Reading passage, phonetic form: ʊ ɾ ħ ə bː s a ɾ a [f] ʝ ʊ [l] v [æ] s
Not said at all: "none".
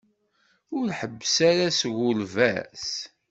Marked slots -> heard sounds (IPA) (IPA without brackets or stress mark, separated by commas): s, l, æ